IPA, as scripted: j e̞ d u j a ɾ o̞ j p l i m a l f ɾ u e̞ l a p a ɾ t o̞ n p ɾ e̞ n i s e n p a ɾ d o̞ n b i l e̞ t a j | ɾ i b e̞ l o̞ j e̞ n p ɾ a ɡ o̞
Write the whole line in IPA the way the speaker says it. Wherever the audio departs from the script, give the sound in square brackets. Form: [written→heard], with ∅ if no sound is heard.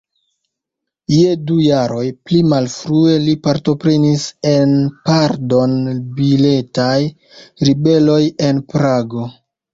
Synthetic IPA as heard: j e̞ d u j a ɾ o̞ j p l i m a l f ɾ u e̞ l [a→i] p a ɾ t o̞ [n→∅] p ɾ e̞ n i s e n p a ɾ d o̞ n b i l e̞ t a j | ɾ i b e̞ l o̞ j e̞ n p ɾ a ɡ o̞